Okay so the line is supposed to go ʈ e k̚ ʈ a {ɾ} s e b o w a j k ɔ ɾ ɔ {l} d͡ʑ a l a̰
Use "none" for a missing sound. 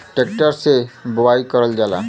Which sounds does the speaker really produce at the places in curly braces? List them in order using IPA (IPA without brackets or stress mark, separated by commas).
ɾ, l